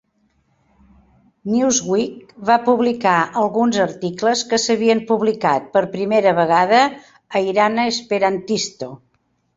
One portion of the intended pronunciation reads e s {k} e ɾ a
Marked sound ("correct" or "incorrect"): incorrect